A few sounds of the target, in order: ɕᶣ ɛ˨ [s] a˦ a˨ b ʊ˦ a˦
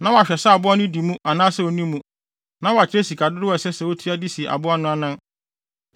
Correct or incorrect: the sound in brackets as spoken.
correct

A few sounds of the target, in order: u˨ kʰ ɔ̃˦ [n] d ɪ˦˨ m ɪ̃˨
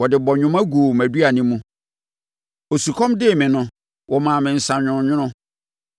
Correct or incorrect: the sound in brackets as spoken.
incorrect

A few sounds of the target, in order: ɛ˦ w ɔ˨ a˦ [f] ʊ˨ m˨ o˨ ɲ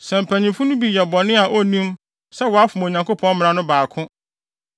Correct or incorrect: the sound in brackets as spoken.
correct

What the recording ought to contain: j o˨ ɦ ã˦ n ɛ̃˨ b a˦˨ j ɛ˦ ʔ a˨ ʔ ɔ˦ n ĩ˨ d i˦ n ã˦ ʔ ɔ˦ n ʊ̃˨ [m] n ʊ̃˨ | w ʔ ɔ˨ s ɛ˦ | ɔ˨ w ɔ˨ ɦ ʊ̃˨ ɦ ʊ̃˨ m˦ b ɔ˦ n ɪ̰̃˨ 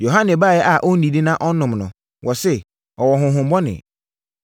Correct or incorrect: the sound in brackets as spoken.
correct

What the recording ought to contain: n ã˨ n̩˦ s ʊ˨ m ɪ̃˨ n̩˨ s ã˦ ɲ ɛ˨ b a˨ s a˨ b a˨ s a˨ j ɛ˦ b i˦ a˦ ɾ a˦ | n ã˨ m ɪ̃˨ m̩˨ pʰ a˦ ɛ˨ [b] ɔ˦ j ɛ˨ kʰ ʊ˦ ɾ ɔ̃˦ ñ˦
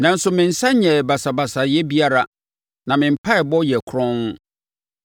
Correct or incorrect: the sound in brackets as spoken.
correct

